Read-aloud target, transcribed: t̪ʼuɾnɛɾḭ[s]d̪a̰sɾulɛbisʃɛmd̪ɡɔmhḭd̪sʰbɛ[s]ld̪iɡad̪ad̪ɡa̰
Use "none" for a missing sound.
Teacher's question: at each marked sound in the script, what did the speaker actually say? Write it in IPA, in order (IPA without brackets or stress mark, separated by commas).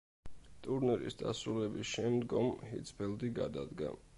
s, none